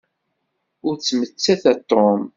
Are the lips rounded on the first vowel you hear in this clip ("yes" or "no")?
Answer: yes